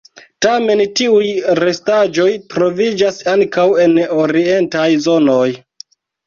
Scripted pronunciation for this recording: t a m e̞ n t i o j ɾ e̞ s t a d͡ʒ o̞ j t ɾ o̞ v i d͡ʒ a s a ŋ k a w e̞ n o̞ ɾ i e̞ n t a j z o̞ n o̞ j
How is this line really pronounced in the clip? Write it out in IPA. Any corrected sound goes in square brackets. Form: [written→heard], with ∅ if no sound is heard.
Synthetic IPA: t a m e̞ n t i [o→u] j ɾ e̞ s t a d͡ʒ o̞ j t ɾ o̞ v i d͡ʒ a s a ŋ k a w e̞ n o̞ ɾ i e̞ n t a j z o̞ n o̞ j